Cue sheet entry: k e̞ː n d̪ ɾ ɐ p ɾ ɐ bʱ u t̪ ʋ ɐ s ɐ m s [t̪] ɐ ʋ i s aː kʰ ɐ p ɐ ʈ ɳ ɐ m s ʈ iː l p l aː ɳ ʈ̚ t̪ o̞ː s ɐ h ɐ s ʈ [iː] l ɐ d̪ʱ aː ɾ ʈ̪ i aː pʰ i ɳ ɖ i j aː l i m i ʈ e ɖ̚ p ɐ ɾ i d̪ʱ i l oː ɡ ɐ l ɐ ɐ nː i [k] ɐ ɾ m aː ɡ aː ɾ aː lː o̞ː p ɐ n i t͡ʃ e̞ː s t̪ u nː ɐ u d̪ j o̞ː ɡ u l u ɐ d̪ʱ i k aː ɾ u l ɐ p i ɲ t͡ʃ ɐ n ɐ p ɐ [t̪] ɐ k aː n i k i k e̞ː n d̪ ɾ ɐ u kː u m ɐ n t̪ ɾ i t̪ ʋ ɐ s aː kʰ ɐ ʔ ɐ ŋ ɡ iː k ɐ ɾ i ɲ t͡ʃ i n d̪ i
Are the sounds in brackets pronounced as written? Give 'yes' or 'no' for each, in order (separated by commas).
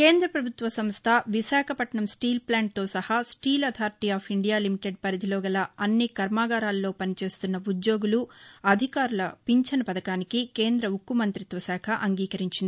no, yes, yes, no